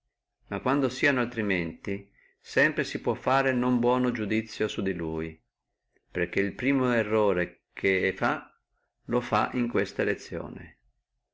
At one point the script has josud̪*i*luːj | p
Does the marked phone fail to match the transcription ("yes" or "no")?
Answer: no